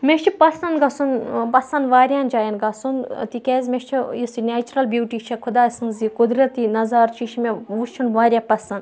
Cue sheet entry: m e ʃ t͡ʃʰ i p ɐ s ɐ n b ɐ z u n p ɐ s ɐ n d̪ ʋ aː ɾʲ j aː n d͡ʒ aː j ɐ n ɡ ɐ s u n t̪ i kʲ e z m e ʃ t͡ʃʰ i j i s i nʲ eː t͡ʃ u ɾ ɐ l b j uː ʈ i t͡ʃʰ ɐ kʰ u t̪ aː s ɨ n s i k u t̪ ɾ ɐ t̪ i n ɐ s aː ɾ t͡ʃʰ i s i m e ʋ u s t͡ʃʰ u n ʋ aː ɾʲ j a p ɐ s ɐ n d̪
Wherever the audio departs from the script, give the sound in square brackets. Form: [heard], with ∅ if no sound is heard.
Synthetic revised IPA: m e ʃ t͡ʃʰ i p ɐ s ɐ n [ɡ] ɐ [s] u n p ɐ s ɐ n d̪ ʋ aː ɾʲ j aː n d͡ʒ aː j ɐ n ɡ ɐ s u n t̪ i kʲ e z m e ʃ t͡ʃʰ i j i s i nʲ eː t͡ʃ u ɾ ɐ l b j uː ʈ i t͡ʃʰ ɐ kʰ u [d̪] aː s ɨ n [z] i k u [d̪] ɾ ɐ t̪ i n ɐ [z] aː ɾ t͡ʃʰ i [ʃ] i m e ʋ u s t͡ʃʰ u n ʋ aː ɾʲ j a p ɐ s ɐ n d̪